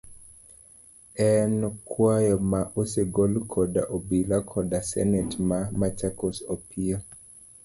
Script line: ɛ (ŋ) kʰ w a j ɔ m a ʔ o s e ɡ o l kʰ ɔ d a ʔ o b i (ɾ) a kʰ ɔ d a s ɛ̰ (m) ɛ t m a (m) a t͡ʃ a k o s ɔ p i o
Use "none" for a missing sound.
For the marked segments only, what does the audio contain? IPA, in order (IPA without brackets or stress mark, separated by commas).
n, l, n, m